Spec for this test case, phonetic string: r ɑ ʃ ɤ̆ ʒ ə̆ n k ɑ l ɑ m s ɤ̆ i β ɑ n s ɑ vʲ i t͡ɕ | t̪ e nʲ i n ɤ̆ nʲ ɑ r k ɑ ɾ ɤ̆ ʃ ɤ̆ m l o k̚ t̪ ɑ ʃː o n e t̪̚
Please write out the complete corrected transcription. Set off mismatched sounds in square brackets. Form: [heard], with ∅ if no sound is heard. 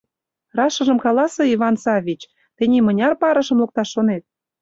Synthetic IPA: r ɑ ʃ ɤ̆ ʒ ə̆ [m] k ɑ l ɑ [∅] s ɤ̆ i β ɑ n s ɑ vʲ i t͡ɕ | t̪ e nʲ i [m] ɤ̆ nʲ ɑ r [p] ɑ ɾ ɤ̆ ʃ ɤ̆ m l o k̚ t̪ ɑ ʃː o n e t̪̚